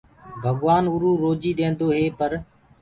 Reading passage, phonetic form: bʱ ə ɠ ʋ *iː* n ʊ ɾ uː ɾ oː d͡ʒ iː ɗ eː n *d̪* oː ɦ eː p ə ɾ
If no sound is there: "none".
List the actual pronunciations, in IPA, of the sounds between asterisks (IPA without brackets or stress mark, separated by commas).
aː, d̪